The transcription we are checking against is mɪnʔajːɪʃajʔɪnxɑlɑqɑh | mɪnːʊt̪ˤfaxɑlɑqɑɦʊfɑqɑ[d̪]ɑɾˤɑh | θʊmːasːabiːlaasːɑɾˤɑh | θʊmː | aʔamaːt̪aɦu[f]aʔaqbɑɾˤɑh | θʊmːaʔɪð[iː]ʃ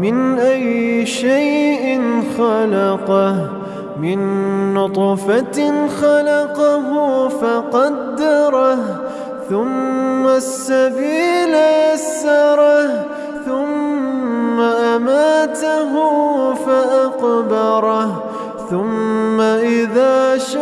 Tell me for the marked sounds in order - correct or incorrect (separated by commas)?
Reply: incorrect, correct, incorrect